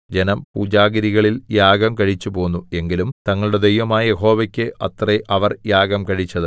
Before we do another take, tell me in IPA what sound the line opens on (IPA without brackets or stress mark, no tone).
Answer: d͡ʑ